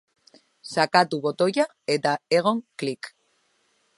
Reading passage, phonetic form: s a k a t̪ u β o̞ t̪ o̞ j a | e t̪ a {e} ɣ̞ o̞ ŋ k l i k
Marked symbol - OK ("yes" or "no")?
yes